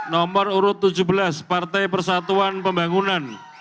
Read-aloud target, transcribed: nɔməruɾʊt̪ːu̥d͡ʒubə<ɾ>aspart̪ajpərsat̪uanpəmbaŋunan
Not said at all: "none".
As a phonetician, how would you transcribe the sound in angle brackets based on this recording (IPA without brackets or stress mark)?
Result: l